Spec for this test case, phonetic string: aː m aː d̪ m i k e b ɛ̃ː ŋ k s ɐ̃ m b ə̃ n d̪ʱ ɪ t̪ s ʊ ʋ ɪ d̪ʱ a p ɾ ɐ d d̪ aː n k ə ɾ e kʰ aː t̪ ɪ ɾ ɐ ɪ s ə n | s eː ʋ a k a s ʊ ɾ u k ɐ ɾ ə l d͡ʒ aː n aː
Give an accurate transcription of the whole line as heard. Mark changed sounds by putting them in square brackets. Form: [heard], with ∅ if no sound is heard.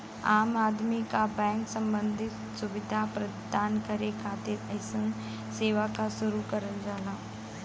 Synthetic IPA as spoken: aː m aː d̪ m i k [a] b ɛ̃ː ŋ k s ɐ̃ m b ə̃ n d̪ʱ ɪ t̪ s ʊ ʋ ɪ d̪ʱ a p ɾ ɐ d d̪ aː n k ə ɾ e kʰ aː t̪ ɪ ɾ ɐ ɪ s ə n | s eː ʋ a k a s ʊ ɾ u k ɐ ɾ ə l d͡ʒ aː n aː